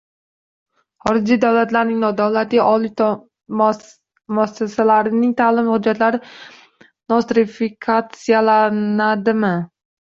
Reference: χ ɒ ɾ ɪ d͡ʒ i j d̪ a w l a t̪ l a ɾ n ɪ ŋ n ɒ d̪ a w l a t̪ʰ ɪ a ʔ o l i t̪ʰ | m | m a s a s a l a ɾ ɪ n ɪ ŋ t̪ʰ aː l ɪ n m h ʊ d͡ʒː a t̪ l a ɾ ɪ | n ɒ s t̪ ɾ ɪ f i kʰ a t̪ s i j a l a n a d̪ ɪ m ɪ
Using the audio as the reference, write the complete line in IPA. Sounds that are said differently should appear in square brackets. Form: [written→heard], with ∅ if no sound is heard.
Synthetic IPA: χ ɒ ɾ ɪ d͡ʒ i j d̪ a w l a t̪ l a ɾ n ɪ ŋ n ɒ d̪ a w l a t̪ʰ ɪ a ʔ [o→ɒ] l i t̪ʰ | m | m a s a s a l a ɾ ɪ n ɪ ŋ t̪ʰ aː l ɪ [n→∅] m h ʊ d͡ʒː a t̪ l a ɾ ɪ | n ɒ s t̪ ɾ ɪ f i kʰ a t̪ s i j a l a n a d̪ ɪ m ɪ